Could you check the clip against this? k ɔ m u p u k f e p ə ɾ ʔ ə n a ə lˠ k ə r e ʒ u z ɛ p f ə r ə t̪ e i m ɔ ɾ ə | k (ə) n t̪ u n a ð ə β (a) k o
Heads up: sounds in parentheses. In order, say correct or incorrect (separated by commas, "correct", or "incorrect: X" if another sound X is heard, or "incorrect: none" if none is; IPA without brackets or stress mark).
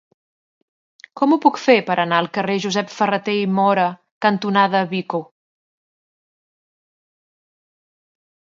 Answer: correct, incorrect: i